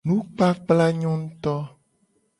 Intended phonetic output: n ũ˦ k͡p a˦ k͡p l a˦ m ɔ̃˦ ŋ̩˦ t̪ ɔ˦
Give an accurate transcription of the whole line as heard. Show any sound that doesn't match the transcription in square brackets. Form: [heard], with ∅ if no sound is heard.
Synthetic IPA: n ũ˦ k͡p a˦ k͡p l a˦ [ɲ] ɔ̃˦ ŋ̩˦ t̪ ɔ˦